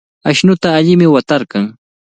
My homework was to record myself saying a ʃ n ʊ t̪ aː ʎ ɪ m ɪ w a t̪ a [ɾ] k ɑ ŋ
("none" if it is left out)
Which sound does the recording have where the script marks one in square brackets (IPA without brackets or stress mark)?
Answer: ɾ